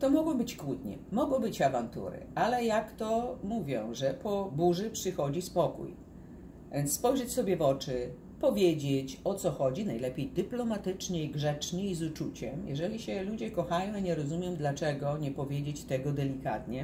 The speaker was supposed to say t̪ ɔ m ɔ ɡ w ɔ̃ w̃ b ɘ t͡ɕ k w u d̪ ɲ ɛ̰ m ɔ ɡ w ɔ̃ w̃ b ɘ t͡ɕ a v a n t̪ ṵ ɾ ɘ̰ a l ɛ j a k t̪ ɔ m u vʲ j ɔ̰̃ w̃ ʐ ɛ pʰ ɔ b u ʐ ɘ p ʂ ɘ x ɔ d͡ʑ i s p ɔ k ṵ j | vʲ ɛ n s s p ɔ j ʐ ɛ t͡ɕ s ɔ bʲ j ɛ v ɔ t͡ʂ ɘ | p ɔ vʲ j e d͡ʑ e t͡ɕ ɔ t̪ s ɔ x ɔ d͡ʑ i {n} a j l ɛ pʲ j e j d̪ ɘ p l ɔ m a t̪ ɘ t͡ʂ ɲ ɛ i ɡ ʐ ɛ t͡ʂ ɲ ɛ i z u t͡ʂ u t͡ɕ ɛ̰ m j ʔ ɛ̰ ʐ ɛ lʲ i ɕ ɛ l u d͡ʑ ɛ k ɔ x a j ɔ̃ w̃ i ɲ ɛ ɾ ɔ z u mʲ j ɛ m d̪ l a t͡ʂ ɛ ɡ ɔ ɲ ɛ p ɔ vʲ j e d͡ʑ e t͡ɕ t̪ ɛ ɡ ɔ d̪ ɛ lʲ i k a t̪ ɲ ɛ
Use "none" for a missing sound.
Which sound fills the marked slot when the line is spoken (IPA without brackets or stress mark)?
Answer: n